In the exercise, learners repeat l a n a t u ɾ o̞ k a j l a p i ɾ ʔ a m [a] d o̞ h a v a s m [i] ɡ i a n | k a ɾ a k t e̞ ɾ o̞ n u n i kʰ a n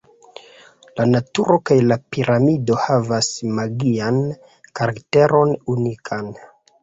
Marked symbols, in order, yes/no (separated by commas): no, no